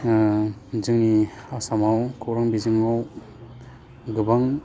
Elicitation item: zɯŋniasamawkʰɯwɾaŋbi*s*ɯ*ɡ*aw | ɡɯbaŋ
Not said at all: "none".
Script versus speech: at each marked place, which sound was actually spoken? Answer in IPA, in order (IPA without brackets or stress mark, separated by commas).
z, ŋ